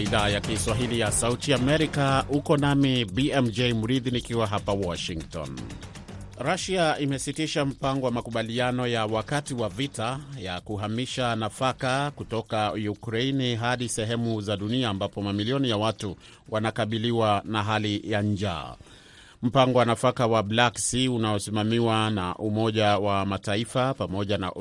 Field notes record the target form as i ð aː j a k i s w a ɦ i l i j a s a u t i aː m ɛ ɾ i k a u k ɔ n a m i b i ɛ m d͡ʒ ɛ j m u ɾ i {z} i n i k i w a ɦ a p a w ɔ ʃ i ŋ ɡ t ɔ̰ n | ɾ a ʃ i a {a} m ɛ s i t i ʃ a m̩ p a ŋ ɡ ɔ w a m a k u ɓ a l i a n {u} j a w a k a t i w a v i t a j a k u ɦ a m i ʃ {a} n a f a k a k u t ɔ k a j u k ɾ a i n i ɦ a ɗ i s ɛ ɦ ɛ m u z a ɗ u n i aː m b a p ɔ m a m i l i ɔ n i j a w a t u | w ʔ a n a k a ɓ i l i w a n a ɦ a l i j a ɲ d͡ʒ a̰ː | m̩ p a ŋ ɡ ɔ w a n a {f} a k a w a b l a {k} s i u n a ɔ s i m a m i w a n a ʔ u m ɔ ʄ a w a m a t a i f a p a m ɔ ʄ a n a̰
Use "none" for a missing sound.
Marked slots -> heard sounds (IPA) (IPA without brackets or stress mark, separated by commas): ð, i, ɔ, a, f, k